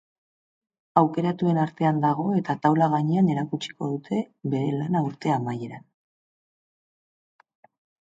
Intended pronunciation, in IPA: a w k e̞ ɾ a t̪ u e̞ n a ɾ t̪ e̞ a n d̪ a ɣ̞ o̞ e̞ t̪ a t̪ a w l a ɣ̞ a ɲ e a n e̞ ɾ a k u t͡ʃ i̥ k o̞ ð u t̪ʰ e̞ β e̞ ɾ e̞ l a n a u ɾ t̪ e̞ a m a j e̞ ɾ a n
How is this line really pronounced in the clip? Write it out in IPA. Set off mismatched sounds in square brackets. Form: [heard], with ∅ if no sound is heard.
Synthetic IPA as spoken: a w k e̞ ɾ a t̪ u e̞ n a ɾ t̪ e̞ a n d̪ a ɣ̞ o̞ e̞ t̪ a t̪ a w l a ɣ̞ a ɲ e a n e̞ ɾ a k u t͡ʃ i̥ k o̞ ð u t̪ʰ e̞ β e̞ ɾ e̞ l a n a u ɾ t̪ e̞ a m a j e̞ ɾ a n